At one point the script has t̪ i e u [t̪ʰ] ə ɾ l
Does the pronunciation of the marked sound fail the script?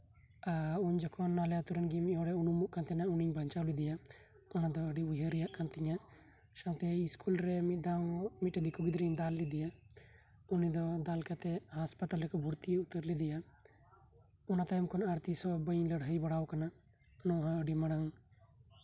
yes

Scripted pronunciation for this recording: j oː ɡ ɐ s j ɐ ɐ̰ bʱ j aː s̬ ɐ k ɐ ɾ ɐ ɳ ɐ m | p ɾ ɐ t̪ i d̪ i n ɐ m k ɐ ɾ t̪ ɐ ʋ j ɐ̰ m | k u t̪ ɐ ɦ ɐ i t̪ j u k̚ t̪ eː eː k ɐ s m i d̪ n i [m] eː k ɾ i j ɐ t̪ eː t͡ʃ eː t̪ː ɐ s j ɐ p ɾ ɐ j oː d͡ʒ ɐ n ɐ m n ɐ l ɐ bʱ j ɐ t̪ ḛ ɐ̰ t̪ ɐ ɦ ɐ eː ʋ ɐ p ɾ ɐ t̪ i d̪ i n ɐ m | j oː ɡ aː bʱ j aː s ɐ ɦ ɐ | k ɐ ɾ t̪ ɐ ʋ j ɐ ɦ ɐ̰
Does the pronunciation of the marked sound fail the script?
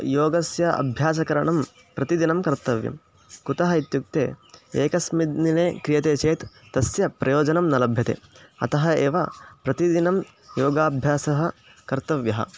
yes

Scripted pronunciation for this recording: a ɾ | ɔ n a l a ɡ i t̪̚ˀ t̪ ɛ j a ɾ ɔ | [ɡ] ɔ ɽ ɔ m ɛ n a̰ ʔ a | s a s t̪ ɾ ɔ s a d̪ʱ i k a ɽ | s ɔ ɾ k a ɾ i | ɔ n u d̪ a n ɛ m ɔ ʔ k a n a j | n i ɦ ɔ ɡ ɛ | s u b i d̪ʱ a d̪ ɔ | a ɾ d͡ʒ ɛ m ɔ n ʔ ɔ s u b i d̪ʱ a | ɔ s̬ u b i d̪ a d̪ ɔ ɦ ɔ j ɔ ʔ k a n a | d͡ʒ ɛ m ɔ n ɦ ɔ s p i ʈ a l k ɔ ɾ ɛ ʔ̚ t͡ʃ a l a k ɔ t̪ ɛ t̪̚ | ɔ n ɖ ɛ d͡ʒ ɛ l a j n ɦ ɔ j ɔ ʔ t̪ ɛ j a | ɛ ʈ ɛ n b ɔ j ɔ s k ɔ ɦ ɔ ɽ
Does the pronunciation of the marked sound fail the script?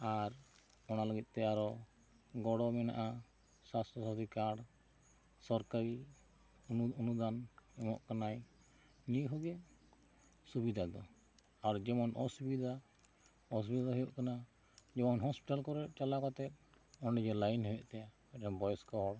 no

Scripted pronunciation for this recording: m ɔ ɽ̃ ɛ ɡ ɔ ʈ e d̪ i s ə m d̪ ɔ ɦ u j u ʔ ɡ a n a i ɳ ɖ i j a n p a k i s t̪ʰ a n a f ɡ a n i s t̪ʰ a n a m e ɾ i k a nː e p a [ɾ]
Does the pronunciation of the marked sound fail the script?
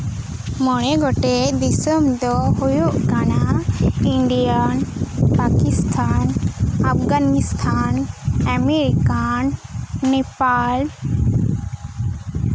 yes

